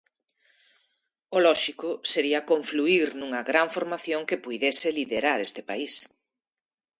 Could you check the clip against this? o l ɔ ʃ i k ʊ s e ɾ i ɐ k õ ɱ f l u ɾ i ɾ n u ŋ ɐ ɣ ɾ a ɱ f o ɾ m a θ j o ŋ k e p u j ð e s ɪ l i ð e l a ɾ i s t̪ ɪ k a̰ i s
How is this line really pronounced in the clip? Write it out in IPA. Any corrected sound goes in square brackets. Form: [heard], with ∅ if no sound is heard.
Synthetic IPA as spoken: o l ɔ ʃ i k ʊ s e ɾ i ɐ k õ ɱ f l u [∅] i ɾ n u ŋ ɐ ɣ ɾ a ɱ f o ɾ m a θ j o ŋ k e p u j ð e s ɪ l i ð e [ɾ] a ɾ [e] s t̪ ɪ [p] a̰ i s